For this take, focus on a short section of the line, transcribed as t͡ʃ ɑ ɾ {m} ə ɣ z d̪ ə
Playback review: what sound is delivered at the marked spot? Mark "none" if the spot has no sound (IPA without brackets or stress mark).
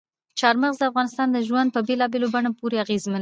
m